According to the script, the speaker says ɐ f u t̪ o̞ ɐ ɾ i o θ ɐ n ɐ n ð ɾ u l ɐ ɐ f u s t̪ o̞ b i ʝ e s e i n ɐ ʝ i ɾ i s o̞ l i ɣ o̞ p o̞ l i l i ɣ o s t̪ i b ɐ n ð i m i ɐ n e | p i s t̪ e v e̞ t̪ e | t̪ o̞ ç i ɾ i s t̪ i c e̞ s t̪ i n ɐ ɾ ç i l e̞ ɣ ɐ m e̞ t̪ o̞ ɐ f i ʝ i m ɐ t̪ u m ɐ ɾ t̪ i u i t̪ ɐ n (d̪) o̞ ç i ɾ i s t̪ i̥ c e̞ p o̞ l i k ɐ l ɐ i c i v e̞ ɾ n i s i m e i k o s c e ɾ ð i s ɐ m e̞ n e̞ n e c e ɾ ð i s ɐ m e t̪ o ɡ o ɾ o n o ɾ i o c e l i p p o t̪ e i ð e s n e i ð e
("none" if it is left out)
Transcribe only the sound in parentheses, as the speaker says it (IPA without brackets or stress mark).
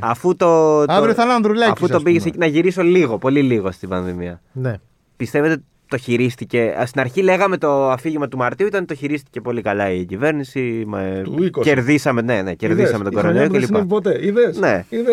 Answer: t̪